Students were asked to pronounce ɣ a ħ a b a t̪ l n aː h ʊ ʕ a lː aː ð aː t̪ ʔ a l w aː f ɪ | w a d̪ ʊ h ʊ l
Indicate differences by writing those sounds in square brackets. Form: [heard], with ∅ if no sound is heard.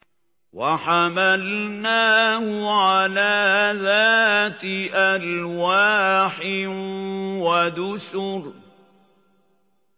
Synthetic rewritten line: [w] a ħ a [m] a [∅] l n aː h ʊ ʕ a [l] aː ð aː t̪ ʔ a l w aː [ħ] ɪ | w a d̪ ʊ [s] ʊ [ɾ]